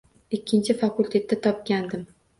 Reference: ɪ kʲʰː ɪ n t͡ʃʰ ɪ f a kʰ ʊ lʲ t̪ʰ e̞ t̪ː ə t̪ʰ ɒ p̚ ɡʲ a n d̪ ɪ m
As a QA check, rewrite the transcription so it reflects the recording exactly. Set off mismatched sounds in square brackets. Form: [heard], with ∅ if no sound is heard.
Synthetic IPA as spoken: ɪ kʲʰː ɪ n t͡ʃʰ ɪ f a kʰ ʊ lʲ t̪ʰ e̞ t̪ː [a] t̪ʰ ɒ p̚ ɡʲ a n d̪ ɪ m